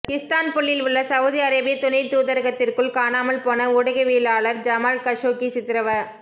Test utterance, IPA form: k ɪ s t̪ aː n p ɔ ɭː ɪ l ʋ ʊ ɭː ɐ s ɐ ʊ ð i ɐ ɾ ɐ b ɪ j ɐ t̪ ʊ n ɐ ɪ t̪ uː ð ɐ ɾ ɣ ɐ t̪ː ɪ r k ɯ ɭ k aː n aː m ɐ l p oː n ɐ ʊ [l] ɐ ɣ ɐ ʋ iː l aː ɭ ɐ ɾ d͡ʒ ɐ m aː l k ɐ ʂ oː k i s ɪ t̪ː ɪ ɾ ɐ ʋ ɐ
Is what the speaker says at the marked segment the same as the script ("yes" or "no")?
no